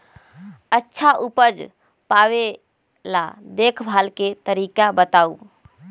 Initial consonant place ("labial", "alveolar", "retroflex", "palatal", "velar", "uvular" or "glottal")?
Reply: alveolar